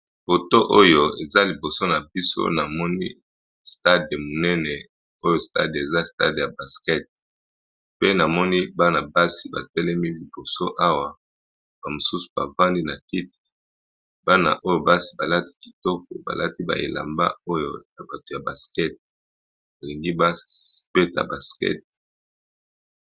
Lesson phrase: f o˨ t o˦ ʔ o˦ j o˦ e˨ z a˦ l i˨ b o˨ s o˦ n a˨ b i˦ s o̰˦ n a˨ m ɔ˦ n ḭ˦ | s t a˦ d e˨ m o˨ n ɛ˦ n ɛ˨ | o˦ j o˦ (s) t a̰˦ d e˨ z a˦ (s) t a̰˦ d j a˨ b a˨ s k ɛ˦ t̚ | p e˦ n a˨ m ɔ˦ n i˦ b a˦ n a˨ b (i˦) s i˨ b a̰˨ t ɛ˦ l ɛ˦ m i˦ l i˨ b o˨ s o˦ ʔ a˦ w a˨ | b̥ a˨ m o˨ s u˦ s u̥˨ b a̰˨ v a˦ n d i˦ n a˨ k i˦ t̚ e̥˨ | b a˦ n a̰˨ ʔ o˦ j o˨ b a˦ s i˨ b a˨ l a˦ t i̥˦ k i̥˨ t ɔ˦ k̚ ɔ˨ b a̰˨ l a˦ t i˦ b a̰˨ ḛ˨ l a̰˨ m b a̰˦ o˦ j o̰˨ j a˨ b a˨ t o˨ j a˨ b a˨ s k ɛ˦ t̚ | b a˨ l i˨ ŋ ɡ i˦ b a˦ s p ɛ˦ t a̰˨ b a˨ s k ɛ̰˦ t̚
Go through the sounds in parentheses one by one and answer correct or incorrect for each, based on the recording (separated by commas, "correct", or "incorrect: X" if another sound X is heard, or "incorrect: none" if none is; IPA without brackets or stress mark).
correct, correct, incorrect: a˦